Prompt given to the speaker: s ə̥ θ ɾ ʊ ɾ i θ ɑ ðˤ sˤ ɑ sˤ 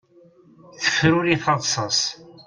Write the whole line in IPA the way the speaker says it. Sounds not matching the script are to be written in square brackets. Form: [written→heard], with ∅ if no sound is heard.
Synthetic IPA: [s→θ] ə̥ [θ→f] ɾ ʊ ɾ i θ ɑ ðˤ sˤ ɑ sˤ